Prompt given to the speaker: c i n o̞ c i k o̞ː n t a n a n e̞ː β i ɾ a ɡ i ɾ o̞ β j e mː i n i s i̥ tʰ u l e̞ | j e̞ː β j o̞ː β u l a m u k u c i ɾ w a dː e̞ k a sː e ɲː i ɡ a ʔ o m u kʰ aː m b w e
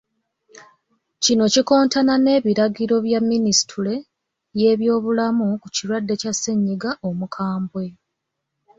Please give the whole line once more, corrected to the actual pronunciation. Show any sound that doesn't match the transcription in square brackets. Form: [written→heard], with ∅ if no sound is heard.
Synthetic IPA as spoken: c i n o̞ c i k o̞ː n t a n a n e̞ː β i ɾ a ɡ i ɾ o̞ β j [e→a] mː i n i s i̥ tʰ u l e̞ | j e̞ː β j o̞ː β u l a m u k u c i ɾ w a dː e̞ [k→c] a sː e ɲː i ɡ a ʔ o m u kʰ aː m b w e